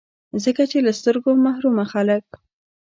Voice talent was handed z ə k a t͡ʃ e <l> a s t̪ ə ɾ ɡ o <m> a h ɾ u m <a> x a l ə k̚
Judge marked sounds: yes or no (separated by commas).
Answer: yes, yes, yes